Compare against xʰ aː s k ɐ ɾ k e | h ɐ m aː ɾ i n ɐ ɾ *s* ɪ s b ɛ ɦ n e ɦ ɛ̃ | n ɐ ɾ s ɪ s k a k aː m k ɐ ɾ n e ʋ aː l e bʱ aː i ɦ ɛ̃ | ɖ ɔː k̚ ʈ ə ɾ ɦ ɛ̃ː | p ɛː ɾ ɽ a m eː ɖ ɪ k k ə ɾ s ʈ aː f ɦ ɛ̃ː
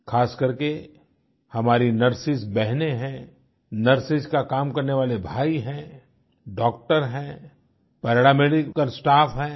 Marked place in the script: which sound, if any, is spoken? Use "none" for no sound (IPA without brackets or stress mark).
s